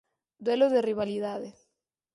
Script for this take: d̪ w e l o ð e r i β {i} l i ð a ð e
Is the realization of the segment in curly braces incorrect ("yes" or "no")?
yes